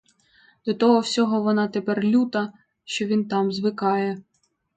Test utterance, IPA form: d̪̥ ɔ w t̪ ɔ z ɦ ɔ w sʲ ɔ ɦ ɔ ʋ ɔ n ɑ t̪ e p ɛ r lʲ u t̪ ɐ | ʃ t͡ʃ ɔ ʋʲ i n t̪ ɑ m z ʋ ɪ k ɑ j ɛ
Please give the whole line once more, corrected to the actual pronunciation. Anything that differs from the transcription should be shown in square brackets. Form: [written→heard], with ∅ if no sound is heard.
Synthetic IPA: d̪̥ ɔ [w→∅] t̪ ɔ [z→∅] ɦ ɔ w sʲ ɔ ɦ ɔ ʋ ɔ n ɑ t̪ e p ɛ r lʲ u t̪ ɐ | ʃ t͡ʃ ɔ ʋʲ i n t̪ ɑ m z ʋ ɪ k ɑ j ɛ